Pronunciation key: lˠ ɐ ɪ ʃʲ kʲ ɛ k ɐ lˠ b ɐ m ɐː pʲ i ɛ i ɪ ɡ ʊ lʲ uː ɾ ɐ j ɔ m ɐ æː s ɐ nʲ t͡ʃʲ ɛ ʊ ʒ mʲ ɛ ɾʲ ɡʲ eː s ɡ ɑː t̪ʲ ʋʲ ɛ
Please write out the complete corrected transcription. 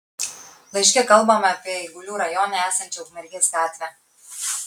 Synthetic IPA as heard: lˠ ɐ ɪ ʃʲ kʲ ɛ k ɐ lˠ b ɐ m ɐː pʲ i ɛ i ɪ ɡ ʊ lʲ uː ɾ ɐ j ɔ n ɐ æː s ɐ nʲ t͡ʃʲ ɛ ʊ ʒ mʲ ɛ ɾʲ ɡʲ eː s ɡ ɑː t̪ʲ ʋʲ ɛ